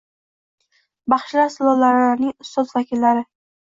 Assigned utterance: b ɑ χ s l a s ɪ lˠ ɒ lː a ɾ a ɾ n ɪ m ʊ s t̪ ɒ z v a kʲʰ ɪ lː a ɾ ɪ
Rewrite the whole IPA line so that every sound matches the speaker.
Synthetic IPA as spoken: b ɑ χ ʃ l a s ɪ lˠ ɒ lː a ɾ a ɾ n ɪ ŋ ʊ s t̪ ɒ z v a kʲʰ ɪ lː a ɾ ɪ